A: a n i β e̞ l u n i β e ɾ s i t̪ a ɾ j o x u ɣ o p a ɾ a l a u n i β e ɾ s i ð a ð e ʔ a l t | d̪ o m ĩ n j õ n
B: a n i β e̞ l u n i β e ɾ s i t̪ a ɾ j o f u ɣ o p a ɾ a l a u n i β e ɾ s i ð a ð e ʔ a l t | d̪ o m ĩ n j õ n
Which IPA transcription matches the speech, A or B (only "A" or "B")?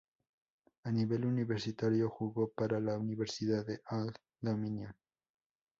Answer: A